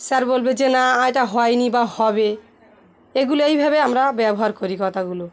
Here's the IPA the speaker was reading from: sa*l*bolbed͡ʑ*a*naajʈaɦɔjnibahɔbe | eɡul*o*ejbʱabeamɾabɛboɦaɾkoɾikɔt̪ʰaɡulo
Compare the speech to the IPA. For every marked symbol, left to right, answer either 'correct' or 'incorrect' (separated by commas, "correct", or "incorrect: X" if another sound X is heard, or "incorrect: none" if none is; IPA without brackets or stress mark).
incorrect: ɾ, incorrect: e, correct